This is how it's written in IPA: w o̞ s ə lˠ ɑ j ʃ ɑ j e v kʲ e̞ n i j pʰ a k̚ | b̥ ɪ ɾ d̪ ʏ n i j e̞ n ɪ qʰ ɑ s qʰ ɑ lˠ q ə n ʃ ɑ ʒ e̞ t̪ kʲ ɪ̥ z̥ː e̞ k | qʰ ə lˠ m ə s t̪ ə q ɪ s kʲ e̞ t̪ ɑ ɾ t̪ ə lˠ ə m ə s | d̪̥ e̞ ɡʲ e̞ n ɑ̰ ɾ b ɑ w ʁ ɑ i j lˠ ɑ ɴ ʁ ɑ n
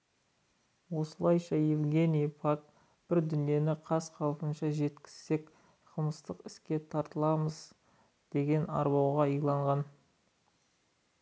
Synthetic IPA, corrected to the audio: w o̞ s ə lˠ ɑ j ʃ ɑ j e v ɡʲ e̞ n i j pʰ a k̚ | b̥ ɪ ɾ d̪ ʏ n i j e̞ n ɪ qʰ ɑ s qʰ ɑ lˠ p ə n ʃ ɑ ʒ e̞ t̪ kʲ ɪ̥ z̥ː e̞ k | qʰ ə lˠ m ə s t̪ ə q ɪ s kʲ e̞ t̪ʰ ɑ ɾ t̪ ə lˠ ɑ m ə z | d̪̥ e̞ ɡʲ e̞ n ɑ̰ ɾ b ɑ w ʁ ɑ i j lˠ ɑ ɴ ʁ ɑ n